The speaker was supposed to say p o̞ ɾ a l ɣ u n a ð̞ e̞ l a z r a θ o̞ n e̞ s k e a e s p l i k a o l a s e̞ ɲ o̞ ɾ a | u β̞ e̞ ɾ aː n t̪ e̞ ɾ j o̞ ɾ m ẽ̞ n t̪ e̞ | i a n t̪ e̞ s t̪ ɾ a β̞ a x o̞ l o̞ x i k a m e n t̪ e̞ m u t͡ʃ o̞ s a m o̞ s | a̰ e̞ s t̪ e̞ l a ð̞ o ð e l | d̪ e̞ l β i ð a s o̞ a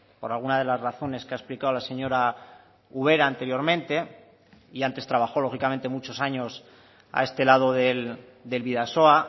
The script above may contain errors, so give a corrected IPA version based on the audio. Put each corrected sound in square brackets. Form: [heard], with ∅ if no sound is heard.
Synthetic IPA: p o̞ ɾ a l ɣ u n a ð̞ e̞ l a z r a θ o̞ n e̞ s k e a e s p l i k a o l a s e̞ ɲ o̞ ɾ a | u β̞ e̞ ɾ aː n t̪ e̞ ɾ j o̞ ɾ m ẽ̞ n t̪ e̞ | i a n t̪ e̞ s t̪ ɾ a β̞ a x o̞ l o̞ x i k a m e n t̪ e̞ m u t͡ʃ o̞ s a [ɲ] o̞ s | a̰ e̞ s t̪ e̞ l a ð̞ o ð e l | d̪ e̞ l β i ð a s o̞ a